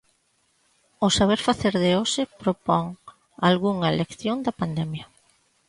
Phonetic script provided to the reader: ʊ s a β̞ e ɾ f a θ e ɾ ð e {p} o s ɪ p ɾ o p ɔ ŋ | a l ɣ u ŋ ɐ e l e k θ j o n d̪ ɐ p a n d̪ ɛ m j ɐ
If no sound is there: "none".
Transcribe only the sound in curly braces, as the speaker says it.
none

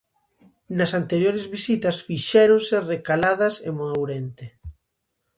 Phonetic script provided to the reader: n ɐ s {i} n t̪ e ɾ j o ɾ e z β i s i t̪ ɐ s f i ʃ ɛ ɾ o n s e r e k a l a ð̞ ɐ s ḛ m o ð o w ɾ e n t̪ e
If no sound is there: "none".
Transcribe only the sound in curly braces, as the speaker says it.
a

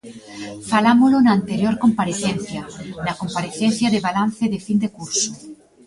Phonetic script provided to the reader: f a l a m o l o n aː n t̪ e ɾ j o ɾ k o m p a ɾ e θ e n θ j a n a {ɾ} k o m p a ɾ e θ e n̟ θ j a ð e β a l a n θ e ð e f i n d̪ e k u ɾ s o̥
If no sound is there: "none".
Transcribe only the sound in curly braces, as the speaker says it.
none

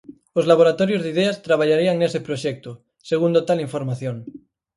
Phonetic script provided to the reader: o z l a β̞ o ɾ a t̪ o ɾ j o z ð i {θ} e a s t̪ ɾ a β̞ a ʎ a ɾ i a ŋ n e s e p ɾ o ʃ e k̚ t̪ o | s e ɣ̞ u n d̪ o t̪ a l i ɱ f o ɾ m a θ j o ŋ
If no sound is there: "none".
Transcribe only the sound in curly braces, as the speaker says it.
ð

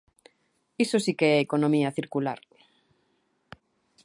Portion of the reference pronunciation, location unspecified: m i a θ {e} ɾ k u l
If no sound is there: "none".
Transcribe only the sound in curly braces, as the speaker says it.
i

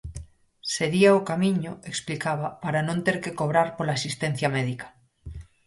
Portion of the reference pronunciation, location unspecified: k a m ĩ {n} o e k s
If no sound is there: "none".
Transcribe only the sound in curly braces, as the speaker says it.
ɲ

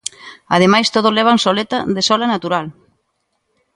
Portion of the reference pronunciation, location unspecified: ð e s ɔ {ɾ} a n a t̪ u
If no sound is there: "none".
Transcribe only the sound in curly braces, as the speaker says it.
l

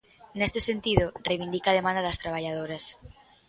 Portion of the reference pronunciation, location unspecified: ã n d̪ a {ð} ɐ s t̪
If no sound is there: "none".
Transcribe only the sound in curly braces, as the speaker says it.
ð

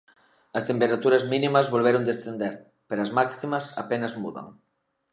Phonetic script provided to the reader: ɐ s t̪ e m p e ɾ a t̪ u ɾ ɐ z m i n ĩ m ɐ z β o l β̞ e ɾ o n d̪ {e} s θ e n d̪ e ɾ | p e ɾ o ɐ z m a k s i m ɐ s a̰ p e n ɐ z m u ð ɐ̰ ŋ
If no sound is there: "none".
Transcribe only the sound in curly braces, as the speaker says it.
e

